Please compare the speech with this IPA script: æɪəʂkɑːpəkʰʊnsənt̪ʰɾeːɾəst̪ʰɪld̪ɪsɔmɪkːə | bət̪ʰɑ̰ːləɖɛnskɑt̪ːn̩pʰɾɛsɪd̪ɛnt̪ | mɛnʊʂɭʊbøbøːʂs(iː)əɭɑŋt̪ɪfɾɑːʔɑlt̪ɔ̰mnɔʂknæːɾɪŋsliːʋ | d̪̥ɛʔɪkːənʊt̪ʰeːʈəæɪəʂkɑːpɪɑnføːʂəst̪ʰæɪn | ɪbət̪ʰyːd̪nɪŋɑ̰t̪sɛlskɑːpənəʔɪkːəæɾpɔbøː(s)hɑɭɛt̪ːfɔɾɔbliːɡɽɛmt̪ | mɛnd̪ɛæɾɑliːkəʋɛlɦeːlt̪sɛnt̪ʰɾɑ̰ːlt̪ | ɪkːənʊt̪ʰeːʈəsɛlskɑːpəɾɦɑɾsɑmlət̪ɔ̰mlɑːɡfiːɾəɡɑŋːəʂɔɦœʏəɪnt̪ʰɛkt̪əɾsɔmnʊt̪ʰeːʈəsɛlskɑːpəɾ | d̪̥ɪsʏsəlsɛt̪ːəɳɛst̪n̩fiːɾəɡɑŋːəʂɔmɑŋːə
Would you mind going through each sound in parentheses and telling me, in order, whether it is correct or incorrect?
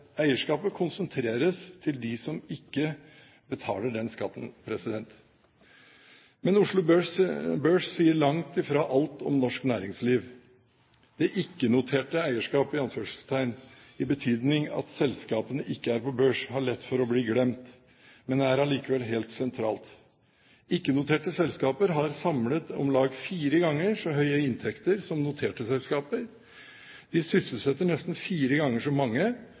correct, incorrect

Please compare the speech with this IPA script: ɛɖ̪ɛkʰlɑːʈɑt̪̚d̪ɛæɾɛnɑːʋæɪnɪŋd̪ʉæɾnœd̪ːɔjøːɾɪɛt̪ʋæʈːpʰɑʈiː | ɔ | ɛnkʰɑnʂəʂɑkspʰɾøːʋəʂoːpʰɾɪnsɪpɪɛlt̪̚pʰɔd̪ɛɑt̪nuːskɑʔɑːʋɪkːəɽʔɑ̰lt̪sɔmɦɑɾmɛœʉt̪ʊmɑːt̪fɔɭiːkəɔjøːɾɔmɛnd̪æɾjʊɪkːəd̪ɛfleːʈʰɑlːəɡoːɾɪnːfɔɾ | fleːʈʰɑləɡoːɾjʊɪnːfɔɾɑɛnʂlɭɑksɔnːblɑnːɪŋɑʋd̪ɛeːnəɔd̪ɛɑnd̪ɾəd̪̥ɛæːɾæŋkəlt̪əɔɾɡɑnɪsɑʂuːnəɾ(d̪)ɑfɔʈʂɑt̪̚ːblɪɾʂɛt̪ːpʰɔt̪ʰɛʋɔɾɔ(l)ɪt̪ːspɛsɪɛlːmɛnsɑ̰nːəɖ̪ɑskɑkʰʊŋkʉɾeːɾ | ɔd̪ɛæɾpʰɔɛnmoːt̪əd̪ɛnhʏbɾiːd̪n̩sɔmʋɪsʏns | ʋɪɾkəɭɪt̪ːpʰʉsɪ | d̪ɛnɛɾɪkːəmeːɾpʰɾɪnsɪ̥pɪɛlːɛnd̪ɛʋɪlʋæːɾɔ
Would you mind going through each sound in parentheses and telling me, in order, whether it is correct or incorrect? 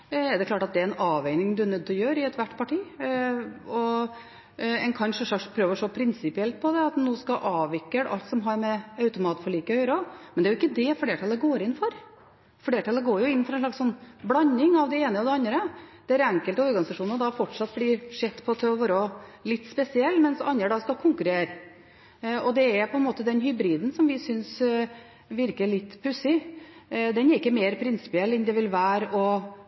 correct, correct

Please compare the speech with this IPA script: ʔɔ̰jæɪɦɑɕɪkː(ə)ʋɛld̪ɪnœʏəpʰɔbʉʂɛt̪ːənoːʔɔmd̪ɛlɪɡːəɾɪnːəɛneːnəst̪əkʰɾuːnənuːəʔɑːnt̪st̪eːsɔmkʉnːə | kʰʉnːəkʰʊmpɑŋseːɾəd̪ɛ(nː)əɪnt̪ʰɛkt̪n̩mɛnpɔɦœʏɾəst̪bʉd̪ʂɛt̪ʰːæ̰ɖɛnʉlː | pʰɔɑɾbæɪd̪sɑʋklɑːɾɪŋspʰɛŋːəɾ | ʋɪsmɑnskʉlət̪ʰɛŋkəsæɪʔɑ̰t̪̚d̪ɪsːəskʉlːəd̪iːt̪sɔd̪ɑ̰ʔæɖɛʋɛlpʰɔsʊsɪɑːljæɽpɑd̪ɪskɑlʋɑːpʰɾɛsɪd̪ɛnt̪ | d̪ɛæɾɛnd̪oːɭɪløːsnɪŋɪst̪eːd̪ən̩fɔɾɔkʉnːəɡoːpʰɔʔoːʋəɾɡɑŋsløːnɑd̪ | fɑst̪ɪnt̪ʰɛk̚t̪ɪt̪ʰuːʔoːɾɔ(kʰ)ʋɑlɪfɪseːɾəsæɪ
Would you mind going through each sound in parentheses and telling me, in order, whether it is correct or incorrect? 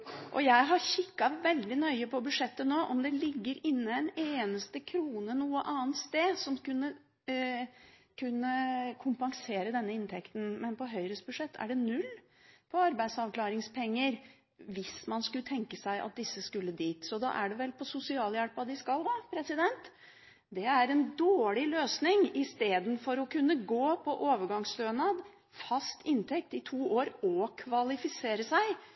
incorrect, correct, correct

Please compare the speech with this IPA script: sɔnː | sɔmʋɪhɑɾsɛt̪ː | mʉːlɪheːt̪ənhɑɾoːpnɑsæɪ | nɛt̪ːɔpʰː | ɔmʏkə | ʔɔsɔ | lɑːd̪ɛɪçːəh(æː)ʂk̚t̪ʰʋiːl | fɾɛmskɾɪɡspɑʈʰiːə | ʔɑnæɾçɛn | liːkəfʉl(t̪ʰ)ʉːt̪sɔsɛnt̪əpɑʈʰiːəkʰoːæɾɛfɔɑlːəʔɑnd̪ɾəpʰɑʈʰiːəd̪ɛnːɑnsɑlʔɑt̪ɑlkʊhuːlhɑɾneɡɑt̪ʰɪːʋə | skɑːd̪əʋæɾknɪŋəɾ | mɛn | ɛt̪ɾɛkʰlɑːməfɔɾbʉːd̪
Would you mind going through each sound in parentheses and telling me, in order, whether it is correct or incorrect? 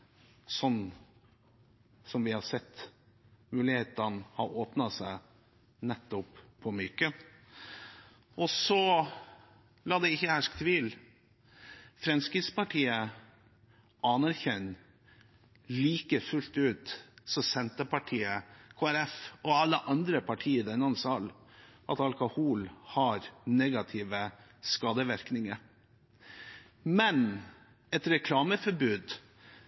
incorrect, incorrect

